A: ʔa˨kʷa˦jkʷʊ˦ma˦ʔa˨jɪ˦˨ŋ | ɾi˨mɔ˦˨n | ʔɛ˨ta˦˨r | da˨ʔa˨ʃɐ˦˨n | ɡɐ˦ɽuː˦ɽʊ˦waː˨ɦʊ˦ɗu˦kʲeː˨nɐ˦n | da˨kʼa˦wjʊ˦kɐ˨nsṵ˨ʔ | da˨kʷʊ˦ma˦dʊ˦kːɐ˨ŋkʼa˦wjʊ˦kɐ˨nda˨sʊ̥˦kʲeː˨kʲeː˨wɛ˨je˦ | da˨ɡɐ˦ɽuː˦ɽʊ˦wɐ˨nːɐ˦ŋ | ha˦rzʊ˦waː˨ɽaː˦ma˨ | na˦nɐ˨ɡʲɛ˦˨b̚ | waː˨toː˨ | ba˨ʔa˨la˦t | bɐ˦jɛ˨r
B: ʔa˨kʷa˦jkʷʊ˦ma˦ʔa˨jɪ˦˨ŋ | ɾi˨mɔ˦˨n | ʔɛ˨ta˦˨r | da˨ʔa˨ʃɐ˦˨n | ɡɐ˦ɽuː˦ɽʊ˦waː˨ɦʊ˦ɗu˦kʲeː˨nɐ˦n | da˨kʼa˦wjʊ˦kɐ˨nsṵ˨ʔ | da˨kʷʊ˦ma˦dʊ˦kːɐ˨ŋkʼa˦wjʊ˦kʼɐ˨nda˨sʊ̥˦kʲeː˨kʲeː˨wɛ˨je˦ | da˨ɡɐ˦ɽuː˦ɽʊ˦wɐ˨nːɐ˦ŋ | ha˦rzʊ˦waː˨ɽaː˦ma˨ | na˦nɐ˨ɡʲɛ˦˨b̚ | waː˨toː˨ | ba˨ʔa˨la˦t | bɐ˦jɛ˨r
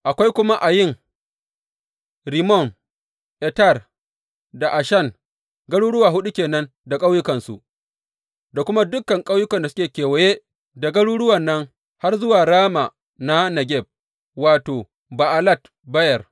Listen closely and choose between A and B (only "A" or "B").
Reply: A